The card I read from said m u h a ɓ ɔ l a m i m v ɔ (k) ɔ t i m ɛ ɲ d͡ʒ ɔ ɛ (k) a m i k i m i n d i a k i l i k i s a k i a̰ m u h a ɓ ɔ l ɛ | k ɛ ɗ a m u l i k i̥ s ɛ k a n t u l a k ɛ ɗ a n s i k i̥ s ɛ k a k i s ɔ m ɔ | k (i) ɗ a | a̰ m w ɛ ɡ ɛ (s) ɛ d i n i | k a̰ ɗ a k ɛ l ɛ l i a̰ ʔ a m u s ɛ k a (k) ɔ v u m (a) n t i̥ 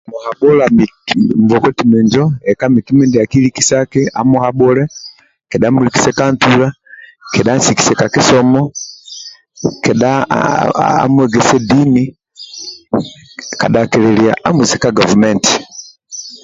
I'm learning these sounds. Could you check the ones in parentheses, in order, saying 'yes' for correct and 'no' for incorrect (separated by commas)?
yes, yes, no, yes, no, no